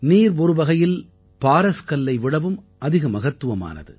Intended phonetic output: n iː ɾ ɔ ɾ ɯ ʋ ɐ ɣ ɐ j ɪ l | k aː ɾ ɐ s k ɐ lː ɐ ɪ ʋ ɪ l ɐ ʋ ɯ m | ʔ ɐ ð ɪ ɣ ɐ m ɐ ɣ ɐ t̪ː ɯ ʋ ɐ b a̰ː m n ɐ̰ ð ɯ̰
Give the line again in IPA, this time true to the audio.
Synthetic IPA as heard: n iː ɾ ɔ ɾ ɯ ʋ ɐ ɣ ɐ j ɪ l | p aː ɾ ɐ s k ɐ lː ɐ ɪ ʋ ɪ ɽ ɐ ʋ ɯ m | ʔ ɐ ð ɪ ɣ ɐ m ɐ ɣ ɐ t̪ː ɯ ʋ ɐ m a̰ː n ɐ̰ ð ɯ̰

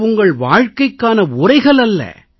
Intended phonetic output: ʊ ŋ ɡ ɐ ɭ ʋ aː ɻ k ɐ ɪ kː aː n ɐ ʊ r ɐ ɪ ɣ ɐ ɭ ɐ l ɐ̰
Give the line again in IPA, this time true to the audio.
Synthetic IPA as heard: ʊ ŋ ɡ ɐ ɭ ʋ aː ɻ k ɐ ɪ kː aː n ɐ ʊ r ɐ ɪ ɣ ɐ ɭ ɐ lː ɐ̰

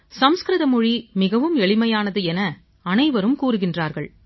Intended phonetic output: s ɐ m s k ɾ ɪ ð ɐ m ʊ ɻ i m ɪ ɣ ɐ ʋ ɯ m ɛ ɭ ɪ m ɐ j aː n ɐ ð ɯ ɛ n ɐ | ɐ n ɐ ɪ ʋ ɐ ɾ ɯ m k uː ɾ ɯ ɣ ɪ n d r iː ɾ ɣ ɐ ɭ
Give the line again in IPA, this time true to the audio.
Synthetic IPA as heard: s ɐ m s k ɾ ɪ ð ɐ m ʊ ɻ i m ɪ ɣ ɐ ʋ ɯ m ɛ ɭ ɪ m ɐ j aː n ɐ ð ɯ ɛ n ɐ | ɐ n ɐ ɪ ʋ ɐ ɾ ɯ m k uː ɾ ɯ ɣ ɪ n d r aː ɾ ɣ ɐ ɭ

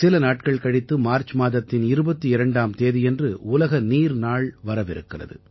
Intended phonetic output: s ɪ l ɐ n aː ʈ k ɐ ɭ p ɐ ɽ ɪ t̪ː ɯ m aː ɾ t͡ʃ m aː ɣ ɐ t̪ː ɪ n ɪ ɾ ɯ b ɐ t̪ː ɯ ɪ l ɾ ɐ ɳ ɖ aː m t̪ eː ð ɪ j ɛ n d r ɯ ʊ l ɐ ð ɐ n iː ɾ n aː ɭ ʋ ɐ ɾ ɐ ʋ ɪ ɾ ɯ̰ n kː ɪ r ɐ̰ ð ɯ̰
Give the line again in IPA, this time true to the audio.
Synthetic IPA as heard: s ɪ l ɐ n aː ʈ k ɐ ɭ k ɐ ɽ ɪ t̪ː ɯ m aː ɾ t͡ʃ m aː ð ɐ t̪ː ɪ n ɪ ɾ ɯ b ɐ t̪ː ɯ ɪ ɾ ɐ ɳ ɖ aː m t̪ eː ð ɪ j ɛ n d r ɯ ʊ l ɐ ɣ ɐ n iː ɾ n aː ɭ ʋ ɐ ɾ ɐ ʋ ɪ ɾ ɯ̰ kː ɪ r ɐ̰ ð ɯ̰

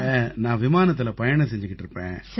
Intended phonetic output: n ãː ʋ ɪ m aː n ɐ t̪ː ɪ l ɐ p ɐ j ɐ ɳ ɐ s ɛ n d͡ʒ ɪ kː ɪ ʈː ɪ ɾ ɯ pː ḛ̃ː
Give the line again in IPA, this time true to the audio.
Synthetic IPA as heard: n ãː ʋ ɪ m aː n ɐ t̪ː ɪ l ɐ p ɐ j ɐ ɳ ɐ s ɛ ɲ d͡ʒ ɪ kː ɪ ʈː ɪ ɾ ɯ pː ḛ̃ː

